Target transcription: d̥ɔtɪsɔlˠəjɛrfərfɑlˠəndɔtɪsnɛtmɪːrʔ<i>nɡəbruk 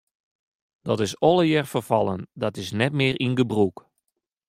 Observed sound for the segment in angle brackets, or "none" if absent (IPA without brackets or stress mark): i